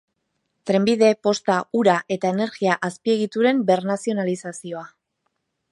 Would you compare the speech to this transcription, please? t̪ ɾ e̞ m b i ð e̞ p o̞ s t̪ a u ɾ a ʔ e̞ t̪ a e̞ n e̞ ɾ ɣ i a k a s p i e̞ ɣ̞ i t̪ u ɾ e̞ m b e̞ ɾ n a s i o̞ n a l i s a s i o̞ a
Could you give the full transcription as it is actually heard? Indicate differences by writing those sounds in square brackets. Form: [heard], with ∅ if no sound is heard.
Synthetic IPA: t̪ ɾ e̞ m b i ð e̞ p o̞ s t̪ a u ɾ a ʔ e̞ t̪ a e̞ n e̞ ɾ ɣ i a [ʔ] a s p i e̞ ɣ̞ i t̪ u ɾ e̞ m b e̞ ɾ n a s i o̞ n a l i s a s i o̞ a